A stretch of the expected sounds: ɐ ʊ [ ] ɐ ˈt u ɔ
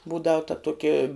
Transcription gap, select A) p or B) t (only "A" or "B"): B